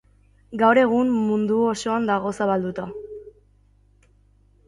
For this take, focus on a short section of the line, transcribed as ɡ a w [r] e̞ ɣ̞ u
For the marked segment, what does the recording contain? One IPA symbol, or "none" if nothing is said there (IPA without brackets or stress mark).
ɾ